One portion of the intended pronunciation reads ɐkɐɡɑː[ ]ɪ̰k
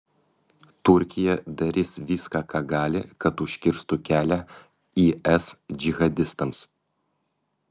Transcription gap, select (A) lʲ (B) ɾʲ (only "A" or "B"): A